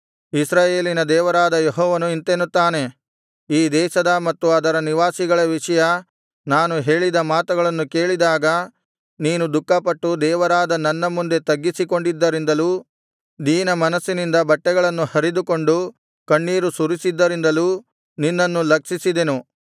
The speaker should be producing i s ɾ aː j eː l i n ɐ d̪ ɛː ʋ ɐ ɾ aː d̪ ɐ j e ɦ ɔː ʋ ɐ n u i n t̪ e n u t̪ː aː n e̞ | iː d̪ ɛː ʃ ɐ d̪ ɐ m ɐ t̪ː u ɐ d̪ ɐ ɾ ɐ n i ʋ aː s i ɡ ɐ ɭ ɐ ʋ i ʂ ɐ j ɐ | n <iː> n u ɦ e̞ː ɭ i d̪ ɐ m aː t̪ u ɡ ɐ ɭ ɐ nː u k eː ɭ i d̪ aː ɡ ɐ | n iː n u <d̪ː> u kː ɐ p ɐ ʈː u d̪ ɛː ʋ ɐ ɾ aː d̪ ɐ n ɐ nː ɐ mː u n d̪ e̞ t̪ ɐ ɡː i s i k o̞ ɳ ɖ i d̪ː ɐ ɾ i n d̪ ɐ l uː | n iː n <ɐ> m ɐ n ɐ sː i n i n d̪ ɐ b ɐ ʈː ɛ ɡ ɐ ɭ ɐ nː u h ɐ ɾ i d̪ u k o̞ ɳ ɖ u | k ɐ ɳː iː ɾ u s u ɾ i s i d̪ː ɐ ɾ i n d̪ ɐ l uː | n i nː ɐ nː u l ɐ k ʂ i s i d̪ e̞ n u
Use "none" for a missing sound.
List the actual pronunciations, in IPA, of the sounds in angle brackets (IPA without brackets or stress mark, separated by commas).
aː, d̪, ɐ